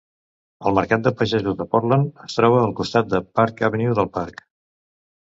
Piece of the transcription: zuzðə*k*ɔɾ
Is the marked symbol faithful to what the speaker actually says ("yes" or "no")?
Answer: no